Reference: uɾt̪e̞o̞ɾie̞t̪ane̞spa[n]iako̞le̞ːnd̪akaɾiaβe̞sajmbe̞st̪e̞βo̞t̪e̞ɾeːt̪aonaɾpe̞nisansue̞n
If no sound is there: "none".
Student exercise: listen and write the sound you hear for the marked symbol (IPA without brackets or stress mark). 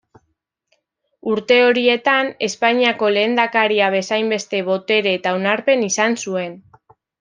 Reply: ɲ